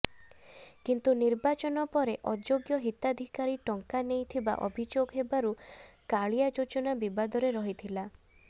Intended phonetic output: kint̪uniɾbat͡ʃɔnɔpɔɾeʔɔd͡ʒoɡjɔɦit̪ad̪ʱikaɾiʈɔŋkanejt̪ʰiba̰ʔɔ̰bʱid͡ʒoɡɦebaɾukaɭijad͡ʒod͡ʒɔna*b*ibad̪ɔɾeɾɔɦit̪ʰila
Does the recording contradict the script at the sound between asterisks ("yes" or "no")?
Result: no